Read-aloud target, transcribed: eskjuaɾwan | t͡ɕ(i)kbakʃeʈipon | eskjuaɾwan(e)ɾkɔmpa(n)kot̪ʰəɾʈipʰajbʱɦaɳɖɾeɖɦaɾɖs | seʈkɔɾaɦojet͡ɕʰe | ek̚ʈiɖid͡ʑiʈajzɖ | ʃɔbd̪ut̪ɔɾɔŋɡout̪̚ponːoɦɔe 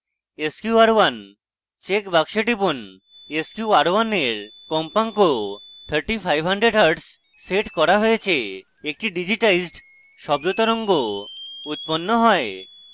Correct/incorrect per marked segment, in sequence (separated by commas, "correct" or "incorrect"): incorrect, correct, incorrect